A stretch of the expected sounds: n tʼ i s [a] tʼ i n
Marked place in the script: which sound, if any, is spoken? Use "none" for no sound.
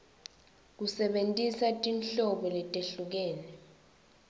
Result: a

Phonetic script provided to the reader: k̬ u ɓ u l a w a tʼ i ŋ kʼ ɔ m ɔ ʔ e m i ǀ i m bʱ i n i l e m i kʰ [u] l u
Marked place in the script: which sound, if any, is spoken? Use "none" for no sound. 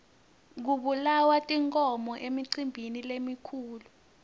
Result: uː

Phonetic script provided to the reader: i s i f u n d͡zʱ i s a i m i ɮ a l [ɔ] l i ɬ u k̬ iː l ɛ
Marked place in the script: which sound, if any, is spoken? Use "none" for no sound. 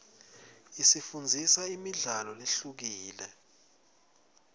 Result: ɔ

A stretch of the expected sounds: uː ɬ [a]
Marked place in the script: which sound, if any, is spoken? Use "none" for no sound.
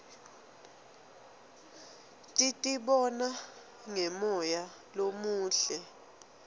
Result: ɛ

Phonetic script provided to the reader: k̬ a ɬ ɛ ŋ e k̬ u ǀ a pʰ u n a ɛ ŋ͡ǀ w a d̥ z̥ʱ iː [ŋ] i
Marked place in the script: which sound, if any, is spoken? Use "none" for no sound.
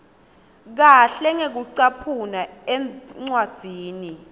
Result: n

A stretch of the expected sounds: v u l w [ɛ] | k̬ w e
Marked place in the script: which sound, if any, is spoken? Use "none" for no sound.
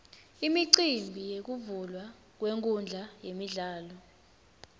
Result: a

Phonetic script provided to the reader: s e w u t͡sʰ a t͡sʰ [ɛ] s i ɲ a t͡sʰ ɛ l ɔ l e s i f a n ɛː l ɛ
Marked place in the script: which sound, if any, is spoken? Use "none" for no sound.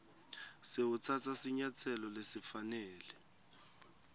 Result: a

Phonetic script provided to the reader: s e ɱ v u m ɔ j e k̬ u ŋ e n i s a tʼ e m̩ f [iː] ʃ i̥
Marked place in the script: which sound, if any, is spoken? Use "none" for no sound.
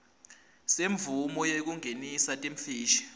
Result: iː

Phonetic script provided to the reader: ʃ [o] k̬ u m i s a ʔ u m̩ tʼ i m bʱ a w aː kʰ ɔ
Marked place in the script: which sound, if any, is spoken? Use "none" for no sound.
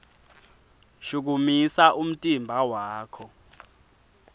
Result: u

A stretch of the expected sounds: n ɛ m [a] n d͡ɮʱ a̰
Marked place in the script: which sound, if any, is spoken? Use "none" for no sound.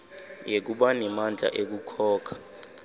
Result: a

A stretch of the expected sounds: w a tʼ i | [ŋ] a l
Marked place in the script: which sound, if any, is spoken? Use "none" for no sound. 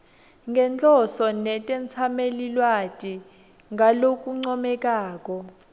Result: ŋ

